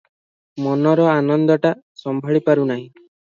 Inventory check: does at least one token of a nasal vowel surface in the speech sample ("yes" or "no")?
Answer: yes